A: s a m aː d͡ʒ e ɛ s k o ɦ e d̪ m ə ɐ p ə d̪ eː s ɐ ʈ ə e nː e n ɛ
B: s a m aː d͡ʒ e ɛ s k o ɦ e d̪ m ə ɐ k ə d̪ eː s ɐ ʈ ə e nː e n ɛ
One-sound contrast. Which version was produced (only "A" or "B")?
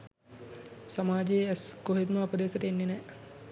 A